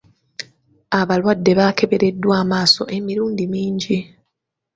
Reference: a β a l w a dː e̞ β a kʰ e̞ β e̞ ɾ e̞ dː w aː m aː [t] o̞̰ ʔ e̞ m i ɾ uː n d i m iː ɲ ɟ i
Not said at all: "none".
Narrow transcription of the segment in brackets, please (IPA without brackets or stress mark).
s